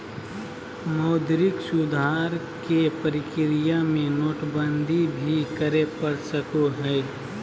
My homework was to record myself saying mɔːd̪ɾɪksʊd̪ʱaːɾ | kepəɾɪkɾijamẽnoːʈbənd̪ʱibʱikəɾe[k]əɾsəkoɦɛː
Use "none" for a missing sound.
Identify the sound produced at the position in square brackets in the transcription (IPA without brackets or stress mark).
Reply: p